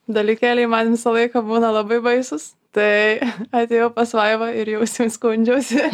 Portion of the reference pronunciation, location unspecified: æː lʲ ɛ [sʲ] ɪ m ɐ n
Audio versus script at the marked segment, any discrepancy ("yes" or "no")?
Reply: yes